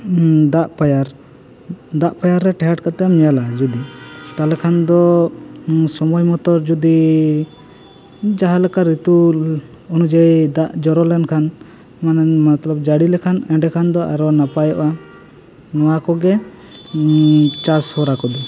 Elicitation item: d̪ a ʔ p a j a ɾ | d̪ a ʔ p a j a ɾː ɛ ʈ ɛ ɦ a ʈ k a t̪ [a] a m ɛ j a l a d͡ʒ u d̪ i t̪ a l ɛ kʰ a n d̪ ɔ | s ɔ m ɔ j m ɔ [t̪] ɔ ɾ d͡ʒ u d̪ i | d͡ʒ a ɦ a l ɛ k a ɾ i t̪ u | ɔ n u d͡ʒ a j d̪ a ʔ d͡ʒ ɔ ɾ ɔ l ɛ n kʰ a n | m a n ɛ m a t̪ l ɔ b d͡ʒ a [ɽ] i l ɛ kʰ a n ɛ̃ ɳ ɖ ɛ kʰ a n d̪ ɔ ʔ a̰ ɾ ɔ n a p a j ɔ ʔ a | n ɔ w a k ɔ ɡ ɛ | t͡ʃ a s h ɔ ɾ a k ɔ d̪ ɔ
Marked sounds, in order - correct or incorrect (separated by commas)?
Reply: incorrect, correct, correct